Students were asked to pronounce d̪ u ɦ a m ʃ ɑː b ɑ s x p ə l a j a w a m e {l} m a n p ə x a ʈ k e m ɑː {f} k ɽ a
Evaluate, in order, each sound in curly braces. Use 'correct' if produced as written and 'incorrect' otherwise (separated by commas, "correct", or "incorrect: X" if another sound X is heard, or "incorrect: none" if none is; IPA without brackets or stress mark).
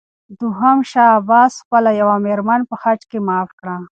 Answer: incorrect: ɾ, correct